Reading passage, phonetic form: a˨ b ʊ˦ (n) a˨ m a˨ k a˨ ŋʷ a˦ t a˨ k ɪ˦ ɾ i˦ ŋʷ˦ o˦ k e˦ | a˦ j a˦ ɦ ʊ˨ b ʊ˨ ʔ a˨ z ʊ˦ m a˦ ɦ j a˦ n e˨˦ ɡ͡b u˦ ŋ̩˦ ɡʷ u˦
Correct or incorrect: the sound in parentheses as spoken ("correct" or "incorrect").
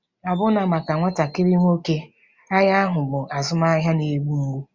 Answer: correct